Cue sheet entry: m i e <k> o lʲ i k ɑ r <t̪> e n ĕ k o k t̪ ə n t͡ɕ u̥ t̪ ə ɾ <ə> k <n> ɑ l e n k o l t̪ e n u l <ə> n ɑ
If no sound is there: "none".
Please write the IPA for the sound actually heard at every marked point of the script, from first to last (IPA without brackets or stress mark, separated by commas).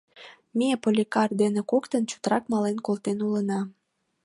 p, d̪, ɑ, m, ə